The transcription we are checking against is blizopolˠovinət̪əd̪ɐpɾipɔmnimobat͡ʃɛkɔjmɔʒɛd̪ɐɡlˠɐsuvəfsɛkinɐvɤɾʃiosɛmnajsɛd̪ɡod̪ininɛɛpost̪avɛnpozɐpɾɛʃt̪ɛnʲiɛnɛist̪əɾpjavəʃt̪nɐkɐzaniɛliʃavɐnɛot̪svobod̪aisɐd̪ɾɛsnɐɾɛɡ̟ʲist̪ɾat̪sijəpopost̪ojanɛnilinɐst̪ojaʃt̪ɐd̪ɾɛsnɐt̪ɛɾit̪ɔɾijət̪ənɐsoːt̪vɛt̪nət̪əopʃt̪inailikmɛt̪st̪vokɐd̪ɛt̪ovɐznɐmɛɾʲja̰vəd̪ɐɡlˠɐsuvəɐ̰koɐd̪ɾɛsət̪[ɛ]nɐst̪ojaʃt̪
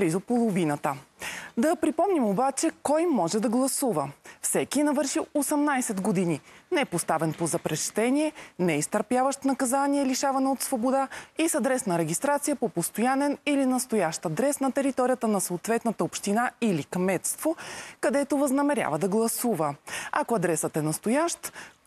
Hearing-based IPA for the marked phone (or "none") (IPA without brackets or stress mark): ɛ